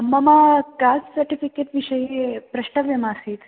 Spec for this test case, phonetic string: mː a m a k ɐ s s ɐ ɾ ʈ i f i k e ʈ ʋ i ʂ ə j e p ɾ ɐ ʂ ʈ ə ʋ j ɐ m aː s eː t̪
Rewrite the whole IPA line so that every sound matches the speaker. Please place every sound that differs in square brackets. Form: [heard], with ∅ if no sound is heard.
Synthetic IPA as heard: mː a m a k [a] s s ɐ ɾ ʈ i f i k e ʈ ʋ i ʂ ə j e p ɾ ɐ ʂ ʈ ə ʋ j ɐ m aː s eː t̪